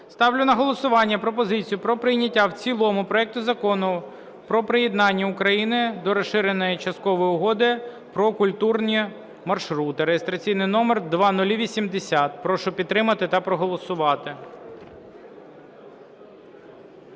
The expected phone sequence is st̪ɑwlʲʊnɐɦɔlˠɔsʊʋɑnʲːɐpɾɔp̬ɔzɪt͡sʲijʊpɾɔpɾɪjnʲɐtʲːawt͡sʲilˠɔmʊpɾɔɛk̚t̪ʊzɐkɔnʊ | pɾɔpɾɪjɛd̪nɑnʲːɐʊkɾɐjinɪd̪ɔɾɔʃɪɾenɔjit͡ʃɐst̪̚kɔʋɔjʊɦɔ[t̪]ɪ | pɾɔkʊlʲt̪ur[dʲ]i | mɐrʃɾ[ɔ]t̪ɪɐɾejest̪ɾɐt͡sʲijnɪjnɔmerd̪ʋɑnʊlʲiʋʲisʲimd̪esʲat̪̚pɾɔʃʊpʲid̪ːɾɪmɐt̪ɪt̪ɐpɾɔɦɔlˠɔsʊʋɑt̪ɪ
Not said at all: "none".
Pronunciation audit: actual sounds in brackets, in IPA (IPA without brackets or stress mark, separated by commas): d̪, nʲ, u